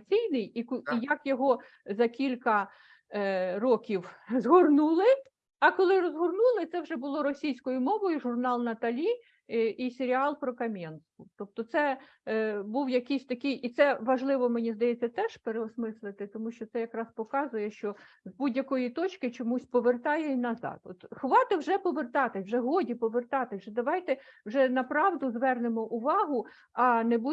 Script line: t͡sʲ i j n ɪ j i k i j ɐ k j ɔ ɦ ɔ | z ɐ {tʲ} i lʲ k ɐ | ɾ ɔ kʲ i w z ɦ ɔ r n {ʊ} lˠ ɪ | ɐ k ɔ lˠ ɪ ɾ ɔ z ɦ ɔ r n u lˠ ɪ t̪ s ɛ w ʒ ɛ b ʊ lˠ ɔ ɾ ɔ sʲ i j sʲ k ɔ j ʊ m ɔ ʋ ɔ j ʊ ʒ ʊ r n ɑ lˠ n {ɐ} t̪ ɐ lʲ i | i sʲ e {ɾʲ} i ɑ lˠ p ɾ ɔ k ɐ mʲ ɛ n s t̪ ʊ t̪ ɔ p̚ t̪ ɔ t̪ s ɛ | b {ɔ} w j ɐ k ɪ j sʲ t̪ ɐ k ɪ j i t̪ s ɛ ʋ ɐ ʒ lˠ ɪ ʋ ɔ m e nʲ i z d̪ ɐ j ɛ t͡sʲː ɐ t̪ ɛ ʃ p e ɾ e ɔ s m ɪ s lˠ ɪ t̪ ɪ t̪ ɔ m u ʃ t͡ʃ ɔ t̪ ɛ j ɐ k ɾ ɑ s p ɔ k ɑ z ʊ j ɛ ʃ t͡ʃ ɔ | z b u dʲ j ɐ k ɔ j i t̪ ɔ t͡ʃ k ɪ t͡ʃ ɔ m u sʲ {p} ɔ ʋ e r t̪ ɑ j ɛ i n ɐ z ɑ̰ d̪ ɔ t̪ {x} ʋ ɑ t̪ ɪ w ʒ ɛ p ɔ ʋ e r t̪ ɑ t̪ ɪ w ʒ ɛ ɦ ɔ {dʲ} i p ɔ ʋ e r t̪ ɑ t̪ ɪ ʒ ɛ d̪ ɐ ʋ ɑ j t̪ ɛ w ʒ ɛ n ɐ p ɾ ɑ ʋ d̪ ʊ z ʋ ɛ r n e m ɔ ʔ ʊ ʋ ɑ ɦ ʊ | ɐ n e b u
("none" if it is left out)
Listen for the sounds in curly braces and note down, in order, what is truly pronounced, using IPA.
kʲ, u, ɐ, ɾʲ, u, p, x, dʲ

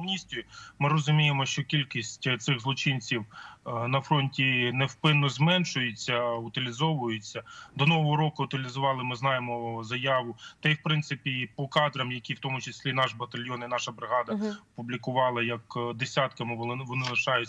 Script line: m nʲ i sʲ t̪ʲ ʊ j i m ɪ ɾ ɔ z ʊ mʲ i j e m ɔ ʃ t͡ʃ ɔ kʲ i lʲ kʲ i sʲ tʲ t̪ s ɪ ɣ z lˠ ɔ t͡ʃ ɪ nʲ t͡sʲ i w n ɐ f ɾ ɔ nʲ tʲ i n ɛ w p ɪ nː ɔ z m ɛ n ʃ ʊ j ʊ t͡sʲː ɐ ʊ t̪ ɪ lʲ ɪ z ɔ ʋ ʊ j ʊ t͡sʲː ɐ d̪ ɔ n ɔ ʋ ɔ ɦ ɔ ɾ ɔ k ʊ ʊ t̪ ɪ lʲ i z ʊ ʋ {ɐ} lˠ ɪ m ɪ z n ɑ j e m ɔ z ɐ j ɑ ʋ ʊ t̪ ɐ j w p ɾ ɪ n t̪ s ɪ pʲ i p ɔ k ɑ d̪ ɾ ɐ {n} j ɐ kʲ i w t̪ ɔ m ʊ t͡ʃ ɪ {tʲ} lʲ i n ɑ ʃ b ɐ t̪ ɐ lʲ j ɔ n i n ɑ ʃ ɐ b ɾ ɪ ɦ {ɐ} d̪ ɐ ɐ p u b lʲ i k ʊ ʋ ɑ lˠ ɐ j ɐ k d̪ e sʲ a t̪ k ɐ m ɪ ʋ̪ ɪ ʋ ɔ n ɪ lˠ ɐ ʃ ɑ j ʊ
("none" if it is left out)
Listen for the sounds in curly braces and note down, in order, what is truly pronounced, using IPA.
ɑ, m, sʲ, ɑ

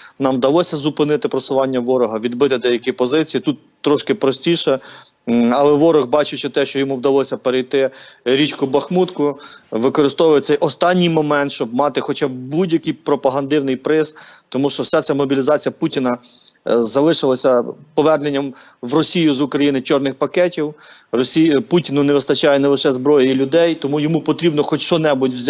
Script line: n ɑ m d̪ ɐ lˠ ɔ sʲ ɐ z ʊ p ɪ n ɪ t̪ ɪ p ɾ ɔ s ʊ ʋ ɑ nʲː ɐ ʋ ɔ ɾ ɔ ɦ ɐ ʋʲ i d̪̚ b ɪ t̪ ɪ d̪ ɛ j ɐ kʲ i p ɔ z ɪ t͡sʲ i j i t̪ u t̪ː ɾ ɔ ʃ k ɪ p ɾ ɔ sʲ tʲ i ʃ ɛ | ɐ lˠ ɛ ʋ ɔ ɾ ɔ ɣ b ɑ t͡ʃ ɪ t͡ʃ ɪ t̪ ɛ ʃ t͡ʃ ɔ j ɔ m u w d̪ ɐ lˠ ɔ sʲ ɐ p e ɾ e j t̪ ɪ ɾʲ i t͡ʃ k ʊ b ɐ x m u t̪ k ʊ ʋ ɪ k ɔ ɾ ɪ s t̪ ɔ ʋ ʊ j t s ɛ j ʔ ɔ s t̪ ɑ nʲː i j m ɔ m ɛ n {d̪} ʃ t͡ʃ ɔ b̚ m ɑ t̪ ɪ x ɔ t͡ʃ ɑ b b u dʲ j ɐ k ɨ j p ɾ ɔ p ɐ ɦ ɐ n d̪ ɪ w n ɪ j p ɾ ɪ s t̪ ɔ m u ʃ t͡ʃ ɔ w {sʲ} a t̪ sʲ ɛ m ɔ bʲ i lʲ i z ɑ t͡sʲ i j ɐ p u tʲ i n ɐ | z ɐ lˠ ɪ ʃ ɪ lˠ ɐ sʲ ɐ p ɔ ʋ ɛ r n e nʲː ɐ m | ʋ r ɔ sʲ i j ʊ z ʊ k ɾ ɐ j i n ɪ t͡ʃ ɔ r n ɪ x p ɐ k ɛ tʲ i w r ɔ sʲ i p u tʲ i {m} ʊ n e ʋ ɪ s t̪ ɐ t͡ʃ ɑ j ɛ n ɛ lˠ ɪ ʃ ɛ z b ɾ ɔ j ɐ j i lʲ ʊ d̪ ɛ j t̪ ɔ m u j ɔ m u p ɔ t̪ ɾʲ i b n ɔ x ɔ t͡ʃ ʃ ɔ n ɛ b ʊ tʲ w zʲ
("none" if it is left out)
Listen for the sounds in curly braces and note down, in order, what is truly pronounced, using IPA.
t̪, sʲ, n

